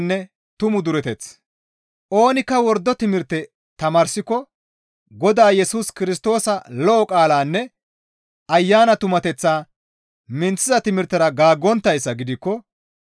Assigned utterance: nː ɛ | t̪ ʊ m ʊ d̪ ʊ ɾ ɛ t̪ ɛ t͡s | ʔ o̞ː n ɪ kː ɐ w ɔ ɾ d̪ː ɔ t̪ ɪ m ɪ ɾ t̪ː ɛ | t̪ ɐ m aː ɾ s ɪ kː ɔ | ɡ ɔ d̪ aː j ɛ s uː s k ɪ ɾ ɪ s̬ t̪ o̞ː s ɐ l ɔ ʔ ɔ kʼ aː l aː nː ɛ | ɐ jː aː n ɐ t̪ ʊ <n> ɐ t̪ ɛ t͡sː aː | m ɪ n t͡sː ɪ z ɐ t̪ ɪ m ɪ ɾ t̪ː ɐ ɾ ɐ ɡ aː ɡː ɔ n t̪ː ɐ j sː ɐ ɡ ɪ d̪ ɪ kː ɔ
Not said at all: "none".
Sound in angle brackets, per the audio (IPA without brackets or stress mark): m